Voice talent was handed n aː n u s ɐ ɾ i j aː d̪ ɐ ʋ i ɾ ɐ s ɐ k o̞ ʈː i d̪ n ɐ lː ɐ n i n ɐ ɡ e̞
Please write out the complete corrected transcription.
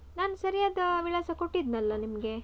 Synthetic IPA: n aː n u s ɐ ɾ i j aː d̪ ɐ ʋ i ɭ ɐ s ɐ k o̞ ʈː i d̪ n ɐ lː ɐ n i m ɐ ɡ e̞

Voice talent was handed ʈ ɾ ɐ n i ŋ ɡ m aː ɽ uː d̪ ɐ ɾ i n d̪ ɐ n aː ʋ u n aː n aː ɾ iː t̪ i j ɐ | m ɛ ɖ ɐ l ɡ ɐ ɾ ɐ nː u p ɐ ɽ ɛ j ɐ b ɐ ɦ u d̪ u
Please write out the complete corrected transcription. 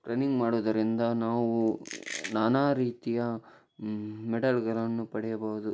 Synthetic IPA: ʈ ɾ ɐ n i ŋ ɡ m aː ɽ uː d̪ ɐ ɾ i n d̪ ɐ n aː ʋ u n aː n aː ɾ iː t̪ i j ɐ | m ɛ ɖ ɐ l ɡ ɐ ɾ ɐ nː u p ɐ ɽ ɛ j ɐ b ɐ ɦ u d̪ u

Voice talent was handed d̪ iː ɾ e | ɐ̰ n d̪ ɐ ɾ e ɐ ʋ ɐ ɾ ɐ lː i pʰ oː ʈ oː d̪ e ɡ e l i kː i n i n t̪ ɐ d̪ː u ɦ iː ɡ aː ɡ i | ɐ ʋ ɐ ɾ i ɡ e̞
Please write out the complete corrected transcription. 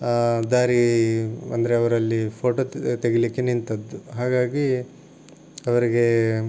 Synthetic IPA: d̪ aː ɾ i | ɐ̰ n d̪ ɐ ɾ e ɐ ʋ ɐ ɾ ɐ lː i pʰ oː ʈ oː t̪ e ɡ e l i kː e n i n t̪ ɐ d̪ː u ɦ aː ɡ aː ɡ i | ɐ ʋ ɐ ɾ i ɡ e̞

